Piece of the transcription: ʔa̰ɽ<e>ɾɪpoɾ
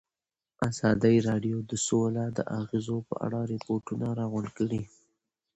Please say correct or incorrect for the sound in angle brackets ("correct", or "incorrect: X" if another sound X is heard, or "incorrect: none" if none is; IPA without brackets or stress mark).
incorrect: a